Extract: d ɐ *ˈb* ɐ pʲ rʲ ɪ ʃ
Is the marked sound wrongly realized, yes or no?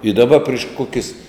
no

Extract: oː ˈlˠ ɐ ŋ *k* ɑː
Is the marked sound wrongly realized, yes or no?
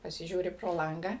yes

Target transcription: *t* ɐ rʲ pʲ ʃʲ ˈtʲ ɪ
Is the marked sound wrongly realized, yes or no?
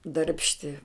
yes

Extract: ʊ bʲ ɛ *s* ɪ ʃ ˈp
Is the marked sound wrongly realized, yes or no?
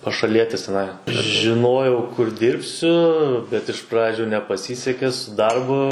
yes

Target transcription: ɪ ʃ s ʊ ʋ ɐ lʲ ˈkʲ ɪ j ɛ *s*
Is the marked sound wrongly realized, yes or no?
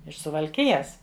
no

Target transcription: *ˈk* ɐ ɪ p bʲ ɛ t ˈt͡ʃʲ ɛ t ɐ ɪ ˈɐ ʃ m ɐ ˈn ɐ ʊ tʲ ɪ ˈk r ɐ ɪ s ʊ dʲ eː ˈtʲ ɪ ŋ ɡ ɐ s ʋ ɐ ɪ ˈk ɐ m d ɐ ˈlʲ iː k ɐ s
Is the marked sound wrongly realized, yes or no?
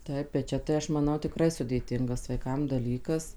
yes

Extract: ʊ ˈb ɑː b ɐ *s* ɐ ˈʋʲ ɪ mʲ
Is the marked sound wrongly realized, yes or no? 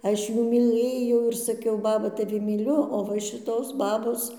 yes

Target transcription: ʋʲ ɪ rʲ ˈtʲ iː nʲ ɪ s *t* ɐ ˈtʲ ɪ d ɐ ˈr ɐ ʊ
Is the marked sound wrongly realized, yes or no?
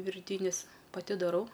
yes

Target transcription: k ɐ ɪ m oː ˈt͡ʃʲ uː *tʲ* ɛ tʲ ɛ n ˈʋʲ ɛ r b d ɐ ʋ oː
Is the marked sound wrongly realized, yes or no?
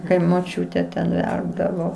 no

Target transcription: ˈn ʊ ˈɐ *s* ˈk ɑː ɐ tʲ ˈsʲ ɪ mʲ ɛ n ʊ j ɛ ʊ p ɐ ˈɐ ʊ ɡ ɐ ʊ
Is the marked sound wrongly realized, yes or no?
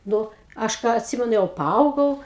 yes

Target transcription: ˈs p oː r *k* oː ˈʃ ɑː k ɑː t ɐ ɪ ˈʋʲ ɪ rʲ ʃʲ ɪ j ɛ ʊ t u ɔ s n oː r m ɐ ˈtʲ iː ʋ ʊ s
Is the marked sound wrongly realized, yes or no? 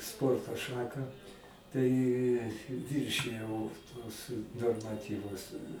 yes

